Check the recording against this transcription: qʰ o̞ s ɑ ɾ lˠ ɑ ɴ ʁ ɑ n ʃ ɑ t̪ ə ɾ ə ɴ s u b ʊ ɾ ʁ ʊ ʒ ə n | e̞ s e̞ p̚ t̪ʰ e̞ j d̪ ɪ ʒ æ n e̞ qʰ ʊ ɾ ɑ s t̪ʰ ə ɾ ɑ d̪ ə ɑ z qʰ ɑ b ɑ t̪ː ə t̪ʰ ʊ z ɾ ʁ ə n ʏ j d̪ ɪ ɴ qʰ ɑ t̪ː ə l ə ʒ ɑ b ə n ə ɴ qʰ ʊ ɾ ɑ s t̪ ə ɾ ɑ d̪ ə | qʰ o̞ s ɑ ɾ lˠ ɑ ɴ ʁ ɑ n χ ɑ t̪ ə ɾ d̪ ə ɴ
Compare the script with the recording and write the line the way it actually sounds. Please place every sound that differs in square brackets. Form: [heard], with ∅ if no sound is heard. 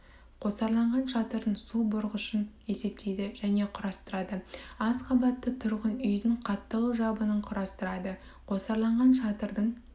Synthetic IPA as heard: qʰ o̞ s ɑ ɾ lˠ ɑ ɴ ʁ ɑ n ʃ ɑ t̪ ə ɾ ə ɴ s u b ʊ ɾ ʁ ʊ [ʃ] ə n | e̞ s e̞ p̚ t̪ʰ e̞ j d̪ ɪ ʒ æ n e̞ qʰ ʊ ɾ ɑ s [t̪] ə ɾ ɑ d̪ ə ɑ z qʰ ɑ b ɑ t̪ː ə t̪ʰ ʊ [∅] ɾ ʁ ə n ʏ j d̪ ɪ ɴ qʰ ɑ t̪ː ə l ə ʒ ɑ b ə n ə ɴ qʰ ʊ ɾ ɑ s t̪ ə ɾ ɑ d̪ ə | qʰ o̞ s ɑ ɾ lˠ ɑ ɴ ʁ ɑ n [ʃ] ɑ t̪ ə ɾ d̪ ə ɴ

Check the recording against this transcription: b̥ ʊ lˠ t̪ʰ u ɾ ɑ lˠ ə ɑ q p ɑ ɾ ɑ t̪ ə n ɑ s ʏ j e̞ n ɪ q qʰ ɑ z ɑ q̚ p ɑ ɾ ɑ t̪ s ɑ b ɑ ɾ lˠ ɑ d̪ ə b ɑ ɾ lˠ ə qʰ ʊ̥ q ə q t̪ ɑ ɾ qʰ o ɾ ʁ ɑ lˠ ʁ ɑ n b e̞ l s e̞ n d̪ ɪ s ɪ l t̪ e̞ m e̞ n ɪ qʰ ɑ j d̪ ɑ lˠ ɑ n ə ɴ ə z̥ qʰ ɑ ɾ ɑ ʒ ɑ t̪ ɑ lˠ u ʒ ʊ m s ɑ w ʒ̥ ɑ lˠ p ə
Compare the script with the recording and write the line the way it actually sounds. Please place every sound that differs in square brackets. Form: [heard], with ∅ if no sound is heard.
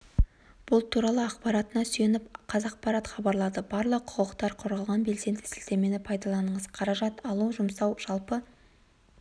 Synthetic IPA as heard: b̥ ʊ lˠ t̪ʰ u ɾ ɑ lˠ ə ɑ q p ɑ ɾ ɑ t̪ ə n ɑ s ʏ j e̞ n ɪ [p] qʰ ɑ z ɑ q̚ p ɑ ɾ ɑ t̪ [χ] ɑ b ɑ ɾ lˠ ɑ d̪ ə b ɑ ɾ lˠ ə qʰ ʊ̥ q ə q t̪ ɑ ɾ qʰ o ɾ ʁ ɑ lˠ ʁ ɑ n b e̞ l s e̞ n d̪ ɪ s ɪ l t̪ e̞ m e̞ n ɪ [pʰ] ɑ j d̪ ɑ lˠ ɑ n ə ɴ ə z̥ qʰ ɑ ɾ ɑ ʒ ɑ t̪ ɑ lˠ u ʒ ʊ m s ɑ w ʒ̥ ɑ lˠ p ə

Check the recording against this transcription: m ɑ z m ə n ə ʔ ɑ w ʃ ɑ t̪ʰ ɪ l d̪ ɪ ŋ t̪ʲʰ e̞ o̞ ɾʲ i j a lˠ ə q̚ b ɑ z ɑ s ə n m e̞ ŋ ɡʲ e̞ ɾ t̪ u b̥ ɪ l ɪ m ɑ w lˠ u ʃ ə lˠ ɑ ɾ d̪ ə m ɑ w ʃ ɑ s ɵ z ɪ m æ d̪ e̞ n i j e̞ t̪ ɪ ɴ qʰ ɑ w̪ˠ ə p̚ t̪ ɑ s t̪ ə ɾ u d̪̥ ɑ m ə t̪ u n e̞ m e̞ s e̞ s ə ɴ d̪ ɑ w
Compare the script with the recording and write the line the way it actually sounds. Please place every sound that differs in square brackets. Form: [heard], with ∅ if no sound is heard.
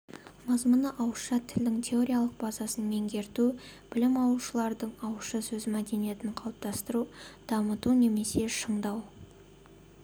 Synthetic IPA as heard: m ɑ z m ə n ə ʔ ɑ w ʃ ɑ t̪ʰ ɪ l d̪ ɪ ŋ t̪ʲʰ e̞ o̞ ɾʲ i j a lˠ ə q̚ b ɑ z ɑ s ə n m e̞ ŋ ɡʲ e̞ ɾ t̪ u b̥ ɪ l ɪ m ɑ w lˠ u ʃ ə lˠ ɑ ɾ d̪ ə [ɴ] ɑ w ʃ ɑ s ɵ z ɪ m æ d̪ e̞ n i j e̞ t̪ ɪ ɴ qʰ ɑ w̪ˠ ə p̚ t̪ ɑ s t̪ ə ɾ u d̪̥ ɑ m ə t̪ u n e̞ m e̞ s e̞ [ʃ] ə ɴ d̪ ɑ w

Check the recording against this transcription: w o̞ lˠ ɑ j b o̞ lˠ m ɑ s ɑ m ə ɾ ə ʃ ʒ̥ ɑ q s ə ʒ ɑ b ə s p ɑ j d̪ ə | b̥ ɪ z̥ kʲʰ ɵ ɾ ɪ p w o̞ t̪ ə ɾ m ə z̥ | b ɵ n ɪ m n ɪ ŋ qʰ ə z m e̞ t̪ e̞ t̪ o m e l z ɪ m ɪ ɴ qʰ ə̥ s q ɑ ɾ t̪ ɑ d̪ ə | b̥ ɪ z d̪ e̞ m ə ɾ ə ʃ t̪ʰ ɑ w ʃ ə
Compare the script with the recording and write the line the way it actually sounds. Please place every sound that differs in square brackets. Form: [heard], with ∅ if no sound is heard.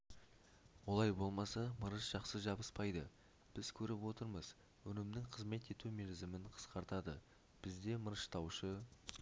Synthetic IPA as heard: w o̞ lˠ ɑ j b o̞ lˠ m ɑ s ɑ m ə ɾ ə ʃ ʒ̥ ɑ q s ə ʒ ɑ b ə s p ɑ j d̪ ə | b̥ ɪ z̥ kʲʰ ɵ ɾ ɪ p w o̞ t̪ ə ɾ m ə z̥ | [w] ɵ n ɪ m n ɪ ŋ qʰ ə z m e̞ t̪ e̞ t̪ [u] m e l z ɪ m ɪ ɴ qʰ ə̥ s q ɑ ɾ t̪ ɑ d̪ ə | b̥ ɪ z d̪ e̞ m ə ɾ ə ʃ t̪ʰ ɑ w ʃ ə

